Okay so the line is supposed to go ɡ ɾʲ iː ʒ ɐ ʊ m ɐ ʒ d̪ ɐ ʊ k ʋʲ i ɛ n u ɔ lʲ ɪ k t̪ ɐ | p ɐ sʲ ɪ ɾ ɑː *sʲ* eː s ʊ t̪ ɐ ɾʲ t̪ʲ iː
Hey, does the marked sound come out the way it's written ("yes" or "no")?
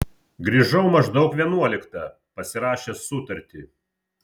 no